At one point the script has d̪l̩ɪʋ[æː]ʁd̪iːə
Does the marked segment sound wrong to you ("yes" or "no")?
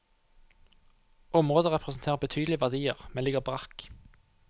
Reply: yes